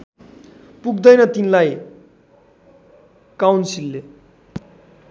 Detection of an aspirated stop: absent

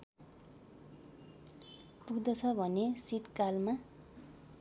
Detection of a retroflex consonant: absent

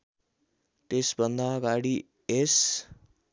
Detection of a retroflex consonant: present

